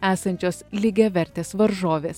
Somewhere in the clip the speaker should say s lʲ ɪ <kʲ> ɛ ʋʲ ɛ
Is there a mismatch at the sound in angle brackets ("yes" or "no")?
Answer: yes